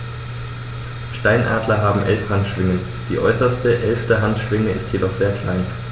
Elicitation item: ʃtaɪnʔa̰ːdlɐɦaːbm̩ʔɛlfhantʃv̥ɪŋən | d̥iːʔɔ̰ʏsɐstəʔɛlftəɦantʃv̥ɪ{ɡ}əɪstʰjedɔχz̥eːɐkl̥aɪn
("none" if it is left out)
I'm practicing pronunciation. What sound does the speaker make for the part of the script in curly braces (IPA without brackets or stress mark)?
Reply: ŋ